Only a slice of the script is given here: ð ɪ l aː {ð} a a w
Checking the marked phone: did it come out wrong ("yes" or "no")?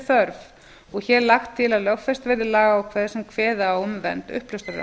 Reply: yes